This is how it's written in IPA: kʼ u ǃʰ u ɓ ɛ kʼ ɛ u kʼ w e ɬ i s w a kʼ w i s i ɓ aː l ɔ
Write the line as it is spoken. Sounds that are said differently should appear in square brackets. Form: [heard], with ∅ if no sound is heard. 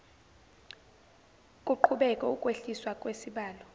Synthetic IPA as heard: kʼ u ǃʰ u ɓ ɛ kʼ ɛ u kʼ w e ɬ i s w a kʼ w [e] s i ɓ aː l ɔ